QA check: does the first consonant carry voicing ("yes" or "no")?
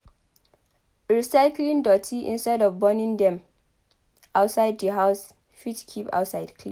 yes